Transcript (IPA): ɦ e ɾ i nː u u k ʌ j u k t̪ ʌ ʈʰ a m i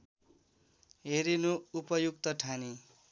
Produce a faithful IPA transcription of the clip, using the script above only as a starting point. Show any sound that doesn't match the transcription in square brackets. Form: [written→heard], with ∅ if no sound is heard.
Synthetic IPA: ɦ e ɾ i [nː→n] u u [k→p] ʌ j u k t̪ ʌ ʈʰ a [m→n] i